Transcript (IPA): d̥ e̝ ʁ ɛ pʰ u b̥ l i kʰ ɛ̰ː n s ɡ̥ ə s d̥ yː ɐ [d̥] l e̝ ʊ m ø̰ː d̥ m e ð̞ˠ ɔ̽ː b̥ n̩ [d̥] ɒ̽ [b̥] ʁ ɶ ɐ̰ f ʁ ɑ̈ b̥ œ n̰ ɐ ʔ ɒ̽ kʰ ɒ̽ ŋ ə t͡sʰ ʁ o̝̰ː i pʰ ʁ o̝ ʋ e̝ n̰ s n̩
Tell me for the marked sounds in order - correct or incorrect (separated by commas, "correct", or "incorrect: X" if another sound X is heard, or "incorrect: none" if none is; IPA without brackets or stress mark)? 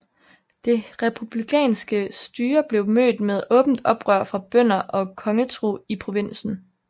incorrect: b̥, correct, correct